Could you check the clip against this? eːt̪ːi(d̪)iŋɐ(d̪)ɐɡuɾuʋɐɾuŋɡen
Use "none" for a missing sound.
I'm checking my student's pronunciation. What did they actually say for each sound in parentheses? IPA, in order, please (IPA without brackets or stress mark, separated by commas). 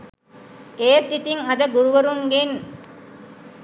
t̪, d̪